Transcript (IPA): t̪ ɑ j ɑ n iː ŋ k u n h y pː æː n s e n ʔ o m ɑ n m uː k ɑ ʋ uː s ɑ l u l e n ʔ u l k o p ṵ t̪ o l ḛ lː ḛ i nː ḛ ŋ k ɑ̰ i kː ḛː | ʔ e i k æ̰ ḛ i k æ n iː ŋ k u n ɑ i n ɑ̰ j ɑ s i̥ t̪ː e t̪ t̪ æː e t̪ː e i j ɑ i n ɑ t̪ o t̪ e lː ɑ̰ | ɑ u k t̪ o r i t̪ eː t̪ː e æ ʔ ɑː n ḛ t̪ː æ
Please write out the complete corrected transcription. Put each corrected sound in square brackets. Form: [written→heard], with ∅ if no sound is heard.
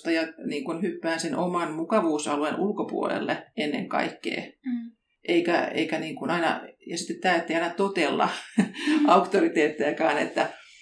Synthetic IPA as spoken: t̪ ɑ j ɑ n iː ŋ k u n h y pː æː n s e n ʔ o m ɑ n m [uː→u] k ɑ ʋ uː s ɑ l u [l→∅] e n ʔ u l k o p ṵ [t̪→∅] o l ḛ lː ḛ [i→e] nː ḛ ŋ k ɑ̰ i kː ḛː | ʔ e i k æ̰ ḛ i k æ n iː ŋ k u n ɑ i n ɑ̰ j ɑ s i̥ t̪ː e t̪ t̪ æː e t̪ː e i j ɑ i n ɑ t̪ o t̪ e lː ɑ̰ | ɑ u k t̪ o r i t̪ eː t̪ː e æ [ʔ→k] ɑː n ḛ t̪ː æ